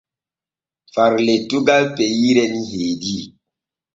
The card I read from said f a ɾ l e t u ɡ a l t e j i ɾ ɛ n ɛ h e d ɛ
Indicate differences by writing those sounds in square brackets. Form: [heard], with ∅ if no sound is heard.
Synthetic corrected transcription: f a ɾ l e t u ɡ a l [p] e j i ɾ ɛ n [i] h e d [i]